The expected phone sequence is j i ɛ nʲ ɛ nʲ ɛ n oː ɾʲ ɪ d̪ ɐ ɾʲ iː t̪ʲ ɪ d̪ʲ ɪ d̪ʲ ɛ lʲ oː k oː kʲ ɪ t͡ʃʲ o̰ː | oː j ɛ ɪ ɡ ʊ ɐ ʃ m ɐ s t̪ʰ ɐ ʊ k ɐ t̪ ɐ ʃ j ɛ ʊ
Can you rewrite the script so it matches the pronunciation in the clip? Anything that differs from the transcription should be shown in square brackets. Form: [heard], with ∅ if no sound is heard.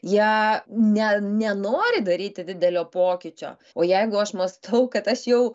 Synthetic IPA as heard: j i ɛ nʲ ɛ nʲ ɛ n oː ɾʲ ɪ d̪ ɐ ɾʲ iː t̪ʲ ɪ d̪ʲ ɪ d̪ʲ ɛ lʲ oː [p] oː kʲ ɪ t͡ʃʲ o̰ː | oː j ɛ ɪ ɡ ʊ ɐ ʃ m ɐ s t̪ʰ ɐ ʊ k ɐ t̪ ɐ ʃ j ɛ ʊ